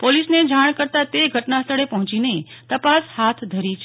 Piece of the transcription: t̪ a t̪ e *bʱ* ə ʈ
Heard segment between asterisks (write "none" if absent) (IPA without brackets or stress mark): ɡʱ